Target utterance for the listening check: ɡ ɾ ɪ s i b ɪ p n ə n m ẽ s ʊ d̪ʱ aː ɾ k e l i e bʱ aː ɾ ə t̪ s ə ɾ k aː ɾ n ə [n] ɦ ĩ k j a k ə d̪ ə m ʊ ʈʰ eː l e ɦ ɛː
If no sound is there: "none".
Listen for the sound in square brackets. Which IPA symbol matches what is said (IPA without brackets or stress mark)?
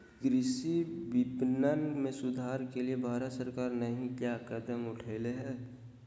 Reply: none